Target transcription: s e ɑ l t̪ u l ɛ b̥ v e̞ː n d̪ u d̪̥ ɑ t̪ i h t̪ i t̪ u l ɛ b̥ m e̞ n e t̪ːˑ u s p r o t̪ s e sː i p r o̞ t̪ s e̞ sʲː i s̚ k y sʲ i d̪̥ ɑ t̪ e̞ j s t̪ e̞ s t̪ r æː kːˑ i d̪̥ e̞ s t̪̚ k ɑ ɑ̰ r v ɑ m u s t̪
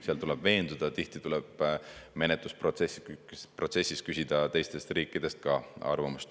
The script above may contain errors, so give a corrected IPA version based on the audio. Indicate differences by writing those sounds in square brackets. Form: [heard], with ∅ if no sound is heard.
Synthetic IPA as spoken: s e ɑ l t̪ u l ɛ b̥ v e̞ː n d̪ u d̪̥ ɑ t̪ i h t̪ i t̪ u l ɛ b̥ m e̞ n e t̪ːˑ u s p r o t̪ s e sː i p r o̞ t̪ s e̞ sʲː i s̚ k y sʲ i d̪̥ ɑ t̪ e̞ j s t̪ e̞ s t̪ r [iː] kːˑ i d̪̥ e̞ s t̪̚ k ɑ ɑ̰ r v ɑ m u s t̪